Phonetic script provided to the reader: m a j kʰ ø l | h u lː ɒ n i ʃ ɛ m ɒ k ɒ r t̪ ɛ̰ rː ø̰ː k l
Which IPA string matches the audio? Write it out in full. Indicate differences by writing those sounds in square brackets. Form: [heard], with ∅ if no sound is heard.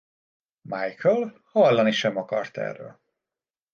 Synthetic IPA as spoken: m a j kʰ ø l | h [ɒ] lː ɒ n i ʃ ɛ m ɒ k ɒ r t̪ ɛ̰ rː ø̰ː [∅] l